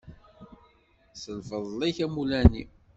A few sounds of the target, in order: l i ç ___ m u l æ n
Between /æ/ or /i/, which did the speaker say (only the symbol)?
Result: æ